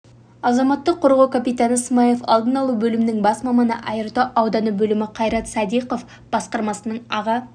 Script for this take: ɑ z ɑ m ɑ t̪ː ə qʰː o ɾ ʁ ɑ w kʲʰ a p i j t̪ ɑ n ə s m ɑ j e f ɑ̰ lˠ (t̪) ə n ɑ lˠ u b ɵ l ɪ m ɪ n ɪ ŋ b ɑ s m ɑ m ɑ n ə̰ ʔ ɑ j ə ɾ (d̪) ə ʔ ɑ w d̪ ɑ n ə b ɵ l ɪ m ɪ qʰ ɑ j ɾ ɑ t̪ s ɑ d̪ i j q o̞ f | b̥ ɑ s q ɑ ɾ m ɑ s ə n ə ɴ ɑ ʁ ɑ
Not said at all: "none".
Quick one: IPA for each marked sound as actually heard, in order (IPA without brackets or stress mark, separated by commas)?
d̪, t̪